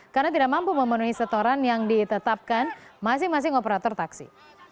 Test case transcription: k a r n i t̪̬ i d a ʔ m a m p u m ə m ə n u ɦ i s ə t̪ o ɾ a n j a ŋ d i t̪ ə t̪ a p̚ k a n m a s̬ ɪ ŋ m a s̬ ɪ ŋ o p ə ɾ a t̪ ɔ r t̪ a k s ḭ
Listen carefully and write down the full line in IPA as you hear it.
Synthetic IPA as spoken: k a r n a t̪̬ i d a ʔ m a m p u m ə m ə n u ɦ i s ə t̪ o ɾ a n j a ŋ d i t̪ ə t̪ a p̚ k a n m a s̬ ɪ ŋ m a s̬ ɪ ŋ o p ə ɾ a t̪ ɔ r t̪ a k s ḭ